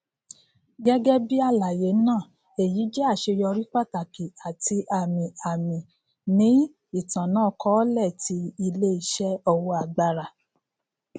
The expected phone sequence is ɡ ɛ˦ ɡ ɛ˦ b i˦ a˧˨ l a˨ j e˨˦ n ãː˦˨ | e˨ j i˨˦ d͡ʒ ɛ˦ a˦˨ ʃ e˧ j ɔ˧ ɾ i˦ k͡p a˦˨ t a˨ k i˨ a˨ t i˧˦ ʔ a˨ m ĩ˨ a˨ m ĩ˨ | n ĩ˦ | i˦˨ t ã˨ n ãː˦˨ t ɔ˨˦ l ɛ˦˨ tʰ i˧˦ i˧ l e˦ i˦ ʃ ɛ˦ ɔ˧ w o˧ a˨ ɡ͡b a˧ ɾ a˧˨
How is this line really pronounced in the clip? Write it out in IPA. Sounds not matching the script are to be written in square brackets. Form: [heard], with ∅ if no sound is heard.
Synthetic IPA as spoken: ɡ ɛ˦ ɡ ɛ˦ b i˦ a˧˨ l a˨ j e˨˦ n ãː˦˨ | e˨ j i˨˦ d͡ʒ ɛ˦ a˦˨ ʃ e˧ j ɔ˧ ɾ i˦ k͡p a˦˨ t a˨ k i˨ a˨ t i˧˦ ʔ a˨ m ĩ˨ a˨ m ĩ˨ | n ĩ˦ | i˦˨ t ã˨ n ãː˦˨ [k] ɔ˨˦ l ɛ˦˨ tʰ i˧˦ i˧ l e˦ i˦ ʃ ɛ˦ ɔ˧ w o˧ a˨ ɡ͡b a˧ ɾ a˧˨